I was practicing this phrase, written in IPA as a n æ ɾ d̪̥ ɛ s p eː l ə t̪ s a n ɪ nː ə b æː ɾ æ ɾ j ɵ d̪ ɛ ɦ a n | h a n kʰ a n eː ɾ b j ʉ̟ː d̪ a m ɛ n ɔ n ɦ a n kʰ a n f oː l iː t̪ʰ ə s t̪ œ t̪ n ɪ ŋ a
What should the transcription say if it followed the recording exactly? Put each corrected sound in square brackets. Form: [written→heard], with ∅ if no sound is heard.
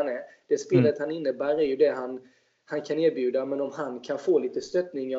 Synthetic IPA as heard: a n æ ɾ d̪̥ ɛ s p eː l ə t̪ [s→h] a n ɪ nː ə b æː ɾ æ ɾ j ɵ d̪ ɛ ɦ a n | h a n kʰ a n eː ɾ b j ʉ̟ː d̪ a m ɛ n ɔ [n→m] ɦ a n kʰ a n f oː l iː [t̪ʰ→t̪] ə s t̪ œ t̪ n ɪ ŋ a